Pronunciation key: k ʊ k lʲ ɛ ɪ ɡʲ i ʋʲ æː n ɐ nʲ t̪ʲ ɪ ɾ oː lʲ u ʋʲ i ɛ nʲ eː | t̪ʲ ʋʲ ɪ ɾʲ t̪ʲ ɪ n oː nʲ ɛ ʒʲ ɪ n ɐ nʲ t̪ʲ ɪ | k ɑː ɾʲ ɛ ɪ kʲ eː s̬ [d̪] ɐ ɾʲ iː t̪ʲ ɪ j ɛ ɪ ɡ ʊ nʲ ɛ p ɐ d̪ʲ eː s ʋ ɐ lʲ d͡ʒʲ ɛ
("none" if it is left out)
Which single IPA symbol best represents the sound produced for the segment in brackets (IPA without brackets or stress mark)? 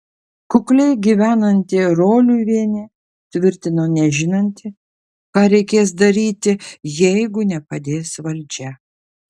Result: d̪